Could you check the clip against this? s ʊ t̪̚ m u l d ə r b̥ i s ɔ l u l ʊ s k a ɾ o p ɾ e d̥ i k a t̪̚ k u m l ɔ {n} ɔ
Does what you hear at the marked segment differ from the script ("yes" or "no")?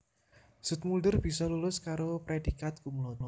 no